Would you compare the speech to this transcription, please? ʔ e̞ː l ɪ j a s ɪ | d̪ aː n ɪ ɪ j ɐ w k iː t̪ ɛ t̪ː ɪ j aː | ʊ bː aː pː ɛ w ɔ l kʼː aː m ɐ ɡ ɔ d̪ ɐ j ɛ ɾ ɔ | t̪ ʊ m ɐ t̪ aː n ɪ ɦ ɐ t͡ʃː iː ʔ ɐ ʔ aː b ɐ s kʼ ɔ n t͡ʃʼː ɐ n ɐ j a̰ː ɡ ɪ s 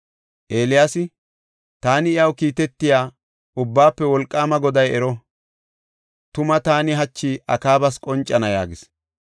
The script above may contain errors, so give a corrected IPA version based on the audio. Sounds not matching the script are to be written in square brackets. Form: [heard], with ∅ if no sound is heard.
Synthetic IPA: ʔ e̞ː l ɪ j a s ɪ | [t̪] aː n ɪ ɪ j ɐ w k iː t̪ ɛ t̪ː ɪ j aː | ʊ bː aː pː ɛ w ɔ l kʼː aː m ɐ ɡ ɔ d̪ ɐ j ɛ ɾ ɔ | t̪ ʊ m ɐ t̪ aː n ɪ ɦ ɐ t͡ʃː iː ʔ ɐ [k] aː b ɐ s kʼ ɔ n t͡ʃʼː ɐ n ɐ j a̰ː ɡ ɪ s